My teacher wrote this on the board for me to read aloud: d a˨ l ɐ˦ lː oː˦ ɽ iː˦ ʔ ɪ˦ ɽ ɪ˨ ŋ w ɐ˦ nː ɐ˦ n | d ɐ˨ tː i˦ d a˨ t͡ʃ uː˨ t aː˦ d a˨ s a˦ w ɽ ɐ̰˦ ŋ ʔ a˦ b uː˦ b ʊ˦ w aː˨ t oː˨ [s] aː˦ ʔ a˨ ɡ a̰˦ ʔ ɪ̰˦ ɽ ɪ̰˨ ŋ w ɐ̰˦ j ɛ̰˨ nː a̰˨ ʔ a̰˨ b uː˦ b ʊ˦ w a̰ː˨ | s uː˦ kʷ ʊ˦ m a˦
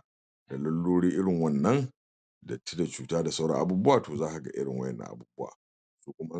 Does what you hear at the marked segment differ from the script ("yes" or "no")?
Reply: yes